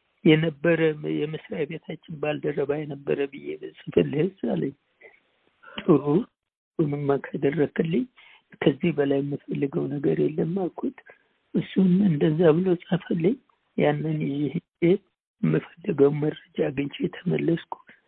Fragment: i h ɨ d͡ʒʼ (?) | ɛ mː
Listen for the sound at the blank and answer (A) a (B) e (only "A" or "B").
B